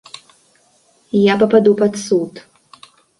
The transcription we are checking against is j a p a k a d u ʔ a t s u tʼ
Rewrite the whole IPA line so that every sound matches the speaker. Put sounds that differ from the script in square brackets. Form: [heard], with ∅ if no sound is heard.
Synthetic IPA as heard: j a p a [p] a d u [p] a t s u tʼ